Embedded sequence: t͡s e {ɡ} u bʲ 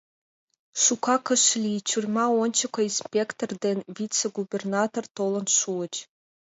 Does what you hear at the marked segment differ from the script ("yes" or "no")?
no